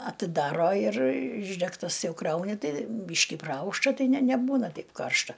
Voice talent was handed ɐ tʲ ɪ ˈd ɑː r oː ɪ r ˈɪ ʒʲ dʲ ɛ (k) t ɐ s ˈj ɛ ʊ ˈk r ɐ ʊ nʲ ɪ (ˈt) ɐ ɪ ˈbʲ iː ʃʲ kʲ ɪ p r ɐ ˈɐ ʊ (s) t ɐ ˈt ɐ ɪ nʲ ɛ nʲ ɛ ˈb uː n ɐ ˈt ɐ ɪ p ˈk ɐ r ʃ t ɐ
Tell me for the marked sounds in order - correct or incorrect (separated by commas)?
correct, correct, incorrect